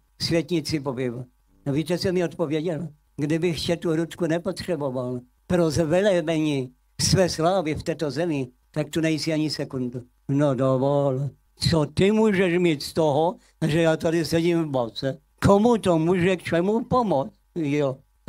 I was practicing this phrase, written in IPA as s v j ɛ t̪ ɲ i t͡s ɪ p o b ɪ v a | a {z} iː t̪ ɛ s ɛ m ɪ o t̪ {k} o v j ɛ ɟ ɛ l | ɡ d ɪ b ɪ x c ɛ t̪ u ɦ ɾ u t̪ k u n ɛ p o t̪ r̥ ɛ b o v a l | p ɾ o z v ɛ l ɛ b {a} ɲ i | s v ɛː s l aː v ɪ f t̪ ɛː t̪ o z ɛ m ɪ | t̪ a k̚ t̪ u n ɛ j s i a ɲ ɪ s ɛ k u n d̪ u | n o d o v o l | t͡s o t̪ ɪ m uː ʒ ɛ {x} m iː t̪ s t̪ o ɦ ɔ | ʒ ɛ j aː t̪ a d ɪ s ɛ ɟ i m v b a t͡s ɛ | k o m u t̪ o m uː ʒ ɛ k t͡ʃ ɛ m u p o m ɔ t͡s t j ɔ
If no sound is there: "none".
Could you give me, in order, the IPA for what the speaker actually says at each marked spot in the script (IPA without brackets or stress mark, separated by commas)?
v, p, ɛ, ʃ